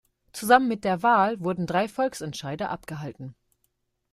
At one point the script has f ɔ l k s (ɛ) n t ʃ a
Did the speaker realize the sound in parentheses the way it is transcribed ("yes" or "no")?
yes